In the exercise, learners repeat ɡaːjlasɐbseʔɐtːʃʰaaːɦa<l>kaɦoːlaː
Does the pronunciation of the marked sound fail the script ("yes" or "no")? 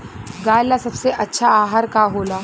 yes